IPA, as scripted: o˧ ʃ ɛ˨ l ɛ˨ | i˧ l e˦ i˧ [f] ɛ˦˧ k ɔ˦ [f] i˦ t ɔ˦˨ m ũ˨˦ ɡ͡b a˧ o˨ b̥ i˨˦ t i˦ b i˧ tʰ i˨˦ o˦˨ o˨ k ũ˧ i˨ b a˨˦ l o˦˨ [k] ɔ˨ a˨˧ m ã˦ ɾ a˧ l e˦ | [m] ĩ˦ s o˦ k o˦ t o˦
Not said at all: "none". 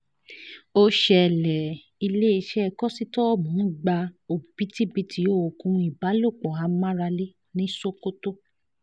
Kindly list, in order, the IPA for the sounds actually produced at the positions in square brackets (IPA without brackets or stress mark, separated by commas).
ʃ, s, k͡p, n